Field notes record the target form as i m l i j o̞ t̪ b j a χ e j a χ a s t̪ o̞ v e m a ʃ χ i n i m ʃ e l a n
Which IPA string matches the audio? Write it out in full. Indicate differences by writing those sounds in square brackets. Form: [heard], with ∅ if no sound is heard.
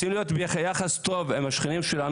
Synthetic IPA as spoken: i m l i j o̞ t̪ b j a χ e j a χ a s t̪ o̞ v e m a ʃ χ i n i m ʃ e l a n